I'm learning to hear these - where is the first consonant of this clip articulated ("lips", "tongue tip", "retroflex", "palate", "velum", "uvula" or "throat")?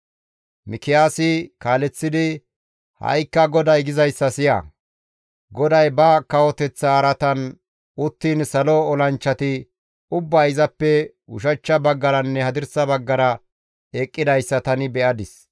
lips